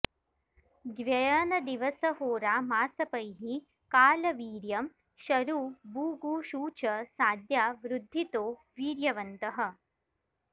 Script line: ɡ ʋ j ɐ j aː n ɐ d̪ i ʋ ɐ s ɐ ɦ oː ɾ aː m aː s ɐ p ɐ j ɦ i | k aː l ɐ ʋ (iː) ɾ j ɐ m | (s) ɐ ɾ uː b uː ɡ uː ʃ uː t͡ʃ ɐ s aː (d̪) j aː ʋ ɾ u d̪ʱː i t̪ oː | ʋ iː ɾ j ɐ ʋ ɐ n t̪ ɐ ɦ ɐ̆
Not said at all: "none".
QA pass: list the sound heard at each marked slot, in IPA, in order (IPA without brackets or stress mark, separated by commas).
iː, ʃ, d̪